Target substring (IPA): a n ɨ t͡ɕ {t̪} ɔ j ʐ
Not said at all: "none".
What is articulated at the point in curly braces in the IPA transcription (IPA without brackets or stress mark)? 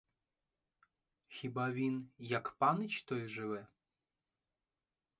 t̪